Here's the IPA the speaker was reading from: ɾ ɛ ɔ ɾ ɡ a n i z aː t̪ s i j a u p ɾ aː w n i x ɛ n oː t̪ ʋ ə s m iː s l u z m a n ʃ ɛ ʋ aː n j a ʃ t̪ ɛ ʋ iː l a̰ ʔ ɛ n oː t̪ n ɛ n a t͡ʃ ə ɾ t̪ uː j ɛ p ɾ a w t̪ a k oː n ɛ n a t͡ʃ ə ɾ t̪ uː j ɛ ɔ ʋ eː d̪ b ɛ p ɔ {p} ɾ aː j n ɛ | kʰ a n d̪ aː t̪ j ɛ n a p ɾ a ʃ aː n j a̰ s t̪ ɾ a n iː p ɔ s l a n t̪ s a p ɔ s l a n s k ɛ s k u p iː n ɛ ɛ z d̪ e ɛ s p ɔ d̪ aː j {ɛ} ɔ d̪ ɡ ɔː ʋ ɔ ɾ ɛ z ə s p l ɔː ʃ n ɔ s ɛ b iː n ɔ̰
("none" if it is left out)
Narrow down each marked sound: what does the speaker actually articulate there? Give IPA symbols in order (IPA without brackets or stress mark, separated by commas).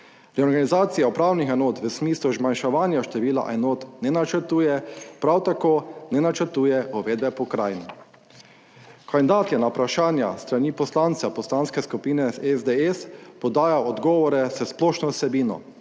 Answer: k, a